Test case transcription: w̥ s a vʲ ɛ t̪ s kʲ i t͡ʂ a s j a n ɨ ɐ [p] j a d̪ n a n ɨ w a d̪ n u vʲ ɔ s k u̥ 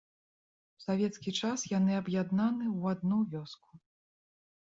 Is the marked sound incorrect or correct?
incorrect